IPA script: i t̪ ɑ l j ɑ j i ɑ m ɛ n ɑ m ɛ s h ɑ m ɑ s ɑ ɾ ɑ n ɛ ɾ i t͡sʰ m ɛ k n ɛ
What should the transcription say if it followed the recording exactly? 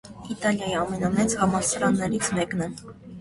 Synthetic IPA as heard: i t̪ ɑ l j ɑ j i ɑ m ɛ n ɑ m ɛ t͡s h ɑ m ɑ s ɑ ɾ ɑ nː ɛ ɾ i t͡sʰ m ɛ k n ɛ